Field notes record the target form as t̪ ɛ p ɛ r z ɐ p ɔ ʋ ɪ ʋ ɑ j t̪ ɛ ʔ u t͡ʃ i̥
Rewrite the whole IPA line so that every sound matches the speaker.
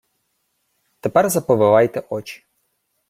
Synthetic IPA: t̪ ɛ p ɛ r z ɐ p ɔ ʋ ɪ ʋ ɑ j t̪ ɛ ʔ ɔ t͡ʃ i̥